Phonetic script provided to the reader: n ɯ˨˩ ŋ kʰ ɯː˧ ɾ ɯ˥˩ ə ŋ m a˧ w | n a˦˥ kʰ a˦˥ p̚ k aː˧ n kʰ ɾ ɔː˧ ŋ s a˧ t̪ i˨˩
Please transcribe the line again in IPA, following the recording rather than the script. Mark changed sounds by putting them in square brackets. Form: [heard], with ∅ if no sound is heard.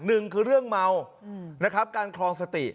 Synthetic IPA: n ɯ˨˩ ŋ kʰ ɯː˧ ɾ ɯ˥˩ ə ŋ m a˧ w | n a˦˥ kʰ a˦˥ p̚ k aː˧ n kʰ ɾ ɔː˧ ŋ s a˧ t̪ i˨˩